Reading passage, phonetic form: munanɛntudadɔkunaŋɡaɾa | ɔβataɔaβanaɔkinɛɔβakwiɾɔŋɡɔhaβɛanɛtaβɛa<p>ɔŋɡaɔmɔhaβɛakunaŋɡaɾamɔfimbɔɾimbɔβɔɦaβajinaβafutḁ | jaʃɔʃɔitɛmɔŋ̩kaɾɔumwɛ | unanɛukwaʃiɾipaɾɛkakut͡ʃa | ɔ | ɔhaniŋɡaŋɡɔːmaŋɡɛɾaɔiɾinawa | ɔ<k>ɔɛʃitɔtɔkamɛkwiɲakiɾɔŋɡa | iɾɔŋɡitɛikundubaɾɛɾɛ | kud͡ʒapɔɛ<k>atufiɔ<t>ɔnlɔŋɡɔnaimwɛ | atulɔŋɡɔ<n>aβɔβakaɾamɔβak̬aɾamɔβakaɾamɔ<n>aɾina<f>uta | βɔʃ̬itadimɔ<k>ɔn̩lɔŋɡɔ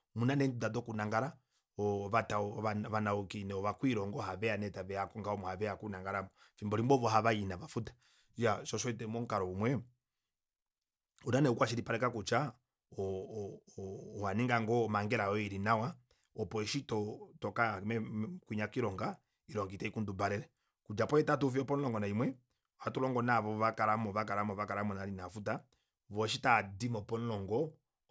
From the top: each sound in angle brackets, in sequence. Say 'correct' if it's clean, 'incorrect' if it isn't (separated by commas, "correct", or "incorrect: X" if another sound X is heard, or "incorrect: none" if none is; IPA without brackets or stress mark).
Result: incorrect: k, incorrect: p, incorrect: t, incorrect: p, correct, correct, correct, incorrect: p